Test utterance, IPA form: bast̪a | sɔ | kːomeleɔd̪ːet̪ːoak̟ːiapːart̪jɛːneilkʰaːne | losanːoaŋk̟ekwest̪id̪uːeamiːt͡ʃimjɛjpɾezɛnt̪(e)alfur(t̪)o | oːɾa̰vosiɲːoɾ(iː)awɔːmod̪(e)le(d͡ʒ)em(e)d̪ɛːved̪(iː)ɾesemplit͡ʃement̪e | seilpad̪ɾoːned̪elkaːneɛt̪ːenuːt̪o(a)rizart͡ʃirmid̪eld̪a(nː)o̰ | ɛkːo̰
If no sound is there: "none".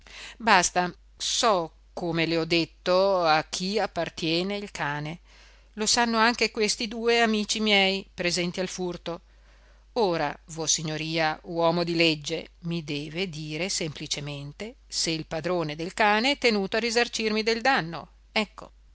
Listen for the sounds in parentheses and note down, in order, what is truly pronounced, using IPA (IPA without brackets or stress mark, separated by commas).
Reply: i, t̪, iː, i, d͡ʒː, i, iː, a, nː